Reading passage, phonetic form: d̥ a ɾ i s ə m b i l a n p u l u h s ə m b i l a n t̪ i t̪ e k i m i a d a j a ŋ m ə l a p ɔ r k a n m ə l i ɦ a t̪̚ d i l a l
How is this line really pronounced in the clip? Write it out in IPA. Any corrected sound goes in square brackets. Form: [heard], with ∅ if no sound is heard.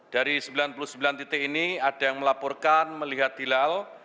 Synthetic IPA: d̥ a ɾ i s ə m b i l a n p u l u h s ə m b i l a n t̪ i t̪ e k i [n] i a d a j a ŋ m ə l a p ɔ r k a n m ə l i ɦ a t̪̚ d i l a l

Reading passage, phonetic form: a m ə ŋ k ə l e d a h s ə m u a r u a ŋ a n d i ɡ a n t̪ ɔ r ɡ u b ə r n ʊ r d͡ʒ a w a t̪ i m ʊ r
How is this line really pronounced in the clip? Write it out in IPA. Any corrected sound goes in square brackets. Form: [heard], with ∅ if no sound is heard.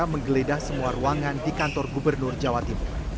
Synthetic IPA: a m ə ŋ [ɡ] ə l e d a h s ə m u a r u a ŋ a n d i [k] a n t̪ ɔ r ɡ u b ə r n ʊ r d͡ʒ a w a t̪ i m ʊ r

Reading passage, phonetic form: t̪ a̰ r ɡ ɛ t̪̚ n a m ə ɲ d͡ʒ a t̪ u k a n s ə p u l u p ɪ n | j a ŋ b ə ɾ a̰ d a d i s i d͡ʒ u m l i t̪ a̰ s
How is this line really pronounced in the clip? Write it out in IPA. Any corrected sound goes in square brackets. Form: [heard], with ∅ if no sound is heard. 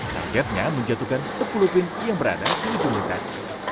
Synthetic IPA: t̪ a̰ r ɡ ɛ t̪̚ [ɲ] a m ə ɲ d͡ʒ a t̪ u k a n s ə p u l u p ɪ n | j a ŋ b ə ɾ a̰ d a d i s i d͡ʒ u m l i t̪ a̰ s

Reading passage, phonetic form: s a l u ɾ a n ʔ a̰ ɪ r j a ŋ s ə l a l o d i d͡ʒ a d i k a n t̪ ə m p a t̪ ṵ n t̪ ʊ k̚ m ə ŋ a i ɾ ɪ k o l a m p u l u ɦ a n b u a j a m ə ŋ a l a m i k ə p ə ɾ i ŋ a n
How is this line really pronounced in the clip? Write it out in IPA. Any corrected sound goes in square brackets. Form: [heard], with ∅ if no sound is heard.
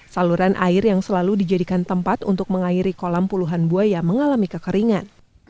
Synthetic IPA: s a l u ɾ a n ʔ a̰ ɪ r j a ŋ s ə l a l [u] d i d͡ʒ a d i k a n t̪ ə m p a t̪ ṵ n t̪ ʊ k̚ m ə ŋ a i ɾ [i] k o l a m p u l u ɦ a n b u a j a m ə ŋ a l a m i k ə [k] ə ɾ i ŋ a n

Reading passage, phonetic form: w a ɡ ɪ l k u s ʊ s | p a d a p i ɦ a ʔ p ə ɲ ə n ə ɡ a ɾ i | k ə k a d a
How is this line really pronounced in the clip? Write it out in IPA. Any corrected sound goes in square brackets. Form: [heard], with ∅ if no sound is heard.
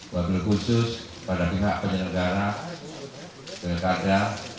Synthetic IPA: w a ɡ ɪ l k u s ʊ s | p a d a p i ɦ a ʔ p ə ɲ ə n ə ɡ a ɾ [a] | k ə k a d a

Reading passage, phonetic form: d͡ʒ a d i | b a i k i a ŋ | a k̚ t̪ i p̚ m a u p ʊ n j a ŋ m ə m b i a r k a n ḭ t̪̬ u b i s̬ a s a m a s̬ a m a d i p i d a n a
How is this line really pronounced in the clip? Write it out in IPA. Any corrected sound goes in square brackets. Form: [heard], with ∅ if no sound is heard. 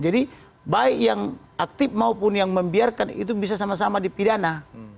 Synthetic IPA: d͡ʒ a d i | b a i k [j] a ŋ | a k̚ t̪ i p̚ m a u p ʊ n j a ŋ m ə m b i a r k a n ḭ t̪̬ u b i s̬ a s a m a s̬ a m a d i p i d a n a

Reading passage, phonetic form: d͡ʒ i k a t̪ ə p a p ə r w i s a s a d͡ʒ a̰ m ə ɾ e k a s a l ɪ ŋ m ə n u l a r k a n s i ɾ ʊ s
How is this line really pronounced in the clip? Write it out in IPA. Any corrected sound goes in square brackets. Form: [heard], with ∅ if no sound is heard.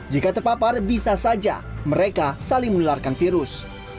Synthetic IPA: d͡ʒ i k a t̪ ə p a p [a] r [b] i s a s a d͡ʒ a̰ m ə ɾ e k a s a l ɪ ŋ m ə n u l a r k a n [f] i ɾ ʊ s

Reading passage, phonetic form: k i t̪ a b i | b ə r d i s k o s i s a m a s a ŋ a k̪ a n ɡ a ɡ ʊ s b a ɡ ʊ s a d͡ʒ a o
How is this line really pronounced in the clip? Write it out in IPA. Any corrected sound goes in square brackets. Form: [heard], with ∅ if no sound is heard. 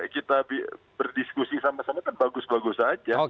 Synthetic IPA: k i t̪ a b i | b ə r d i s k [u] s i s a m a s a [m] a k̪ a n [b] a ɡ ʊ s b a ɡ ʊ s a d͡ʒ a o

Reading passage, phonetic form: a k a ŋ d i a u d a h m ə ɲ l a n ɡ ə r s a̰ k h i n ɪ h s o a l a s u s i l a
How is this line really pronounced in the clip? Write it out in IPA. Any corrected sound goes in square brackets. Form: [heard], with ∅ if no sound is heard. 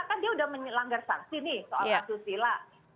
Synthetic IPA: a k a [n] d i a u d a h m ə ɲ l a [ŋ] ɡ [a] r s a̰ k [s] i n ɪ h s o a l a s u s i l a

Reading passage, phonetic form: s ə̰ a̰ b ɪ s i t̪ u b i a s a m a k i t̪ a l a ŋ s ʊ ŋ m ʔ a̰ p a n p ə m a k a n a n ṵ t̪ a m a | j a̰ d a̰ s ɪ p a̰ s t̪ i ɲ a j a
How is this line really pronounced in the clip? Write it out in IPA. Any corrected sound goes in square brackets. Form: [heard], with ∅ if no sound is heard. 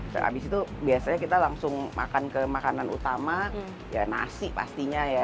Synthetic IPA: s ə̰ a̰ b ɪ s i t̪ u b i a s a [ɲ] a k i t̪ a l a ŋ s ʊ ŋ m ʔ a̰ [k] a n [k] ə m a k a n a n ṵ t̪ a m a | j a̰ [n] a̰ s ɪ p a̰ s t̪ i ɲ a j a

